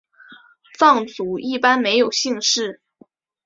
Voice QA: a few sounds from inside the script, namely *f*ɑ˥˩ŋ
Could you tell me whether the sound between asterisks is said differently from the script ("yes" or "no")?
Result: no